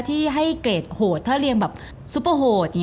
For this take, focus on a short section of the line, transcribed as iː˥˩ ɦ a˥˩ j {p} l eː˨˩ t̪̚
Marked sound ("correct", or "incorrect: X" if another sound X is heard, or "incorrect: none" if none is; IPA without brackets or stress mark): incorrect: k